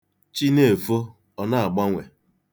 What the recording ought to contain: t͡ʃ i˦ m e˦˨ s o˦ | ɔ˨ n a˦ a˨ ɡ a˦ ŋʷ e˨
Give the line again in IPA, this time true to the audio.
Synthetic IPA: t͡ʃ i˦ n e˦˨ f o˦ | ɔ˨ n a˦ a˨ ɡ͡b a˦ ŋʷ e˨